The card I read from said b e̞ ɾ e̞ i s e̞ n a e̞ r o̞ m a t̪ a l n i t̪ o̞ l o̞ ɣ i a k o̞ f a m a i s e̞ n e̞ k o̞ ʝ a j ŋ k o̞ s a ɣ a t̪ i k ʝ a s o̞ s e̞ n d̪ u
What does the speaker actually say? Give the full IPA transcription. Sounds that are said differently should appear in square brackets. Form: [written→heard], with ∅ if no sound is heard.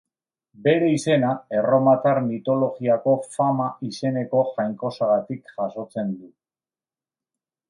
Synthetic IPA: b e̞ ɾ e̞ i s e̞ n a e̞ r o̞ m a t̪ a [l→ɾ] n i t̪ o̞ l o̞ ɣ i a k o̞ f a m a i s e̞ n e̞ k o̞ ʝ a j ŋ k o̞ s a ɣ a t̪ i k ʝ a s o̞ [s→t͡s] e̞ n d̪ u

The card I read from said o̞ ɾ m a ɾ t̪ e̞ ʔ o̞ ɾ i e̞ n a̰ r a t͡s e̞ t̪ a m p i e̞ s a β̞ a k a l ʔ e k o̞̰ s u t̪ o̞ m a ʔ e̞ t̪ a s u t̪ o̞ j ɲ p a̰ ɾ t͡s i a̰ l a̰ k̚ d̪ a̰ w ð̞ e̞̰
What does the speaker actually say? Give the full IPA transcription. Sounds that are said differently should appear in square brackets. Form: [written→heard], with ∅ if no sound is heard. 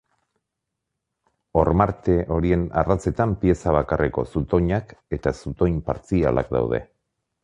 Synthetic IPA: o̞ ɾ m a ɾ t̪ e̞ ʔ o̞ ɾ i e̞ n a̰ r a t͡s e̞ t̪ a m p i e̞ s a β̞ a k a [l→r] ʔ e k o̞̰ s u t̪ o̞ [m→ɲ] a [ʔ→k] e̞ t̪ a s u t̪ o̞ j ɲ p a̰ ɾ t͡s i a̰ l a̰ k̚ d̪ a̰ w ð̞ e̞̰

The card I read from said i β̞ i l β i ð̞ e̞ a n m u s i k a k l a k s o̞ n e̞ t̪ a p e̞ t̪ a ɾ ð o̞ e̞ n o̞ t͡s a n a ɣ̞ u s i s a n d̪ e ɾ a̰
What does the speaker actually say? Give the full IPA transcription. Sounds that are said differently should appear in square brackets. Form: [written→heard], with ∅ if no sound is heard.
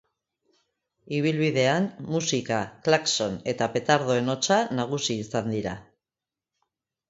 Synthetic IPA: i β̞ i l β i ð̞ e̞ a n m u s i k a k l a k s o̞ n e̞ t̪ a p e̞ t̪ a ɾ ð o̞ e̞ n o̞ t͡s a n a ɣ̞ u s [i→iː] s a n d̪ [e→i] ɾ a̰

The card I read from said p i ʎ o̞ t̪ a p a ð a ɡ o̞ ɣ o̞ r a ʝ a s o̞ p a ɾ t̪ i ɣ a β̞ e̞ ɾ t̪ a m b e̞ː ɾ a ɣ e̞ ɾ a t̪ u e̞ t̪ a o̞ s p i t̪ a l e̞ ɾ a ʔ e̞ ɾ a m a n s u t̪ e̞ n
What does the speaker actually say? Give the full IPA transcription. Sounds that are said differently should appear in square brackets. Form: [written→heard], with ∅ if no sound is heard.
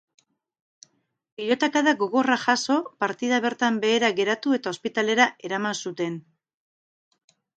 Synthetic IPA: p i ʎ o̞ t̪ a [p→k] a ð a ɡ o̞ ɣ o̞ r a ʝ a s o̞ p a ɾ t̪ i [ɣ→ð] a β̞ e̞ ɾ t̪ a m b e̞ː ɾ a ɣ e̞ ɾ a t̪ u e̞ t̪ a o̞ s p i t̪ a l e̞ ɾ a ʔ e̞ ɾ a m a n s u t̪ e̞ n

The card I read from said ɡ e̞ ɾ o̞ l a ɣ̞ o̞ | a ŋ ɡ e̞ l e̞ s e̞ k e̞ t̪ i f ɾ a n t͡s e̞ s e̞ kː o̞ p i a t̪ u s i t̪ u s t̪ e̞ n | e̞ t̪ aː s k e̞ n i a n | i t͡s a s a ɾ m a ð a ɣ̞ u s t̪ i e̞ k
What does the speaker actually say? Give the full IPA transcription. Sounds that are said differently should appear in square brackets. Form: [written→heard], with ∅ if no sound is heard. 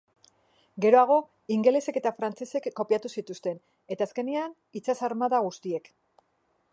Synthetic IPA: ɡ e̞ ɾ o̞ [l→∅] a ɣ̞ o̞ | [a→i] ŋ ɡ e̞ l e̞ s e̞ k e̞ t̪ [i→a] f ɾ a n t͡s e̞ s e̞ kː o̞ p i a t̪ u s i t̪ u s t̪ e̞ n | e̞ t̪ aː s k e̞ n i a n | i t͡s a s a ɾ m a ð a ɣ̞ u s t̪ i e̞ k

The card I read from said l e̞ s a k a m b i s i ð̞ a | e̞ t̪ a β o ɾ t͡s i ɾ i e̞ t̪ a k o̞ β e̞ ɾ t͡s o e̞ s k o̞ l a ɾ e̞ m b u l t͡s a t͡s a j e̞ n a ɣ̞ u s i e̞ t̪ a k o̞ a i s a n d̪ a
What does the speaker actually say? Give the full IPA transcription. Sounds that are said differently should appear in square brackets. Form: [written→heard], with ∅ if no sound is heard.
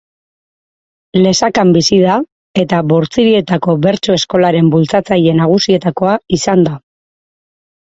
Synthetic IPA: l e̞ s a k a m b i s i ð̞ a | e̞ t̪ a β o ɾ t͡s i ɾ i e̞ t̪ a k o̞ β e̞ ɾ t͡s o e̞ s k o̞ l a ɾ e̞ m b u l t͡s a t͡s a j e̞ n a ɣ̞ u s i e̞ t̪ a k o̞ a i s a n d̪ a

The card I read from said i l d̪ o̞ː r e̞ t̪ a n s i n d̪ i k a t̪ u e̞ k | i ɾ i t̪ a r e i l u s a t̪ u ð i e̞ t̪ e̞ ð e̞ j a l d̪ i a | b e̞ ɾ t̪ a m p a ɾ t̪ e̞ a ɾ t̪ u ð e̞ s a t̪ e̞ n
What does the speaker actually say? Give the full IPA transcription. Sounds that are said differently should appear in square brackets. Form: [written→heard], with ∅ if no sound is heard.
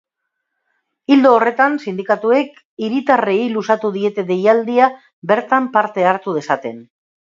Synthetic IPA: i l d̪ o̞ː r e̞ t̪ a n s i n d̪ i k a t̪ u e̞ k | i ɾ i t̪ a r e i l u s a t̪ u ð i e̞ t̪ e̞ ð e̞ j a l d̪ i a | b e̞ ɾ t̪ a m p a ɾ t̪ e̞ a ɾ t̪ u ð e̞ s a t̪ e̞ n

